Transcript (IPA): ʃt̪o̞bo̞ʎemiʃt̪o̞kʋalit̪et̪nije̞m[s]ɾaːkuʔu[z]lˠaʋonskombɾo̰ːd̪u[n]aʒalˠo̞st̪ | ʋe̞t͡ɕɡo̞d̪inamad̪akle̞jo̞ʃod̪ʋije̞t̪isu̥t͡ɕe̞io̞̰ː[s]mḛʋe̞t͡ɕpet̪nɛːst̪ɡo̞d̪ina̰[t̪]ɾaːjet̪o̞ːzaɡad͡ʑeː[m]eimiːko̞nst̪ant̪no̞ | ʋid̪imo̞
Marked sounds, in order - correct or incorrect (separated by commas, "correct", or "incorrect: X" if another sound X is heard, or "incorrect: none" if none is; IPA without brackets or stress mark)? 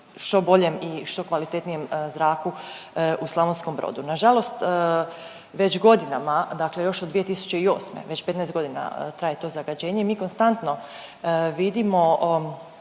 incorrect: z, incorrect: s, correct, correct, correct, incorrect: ɲ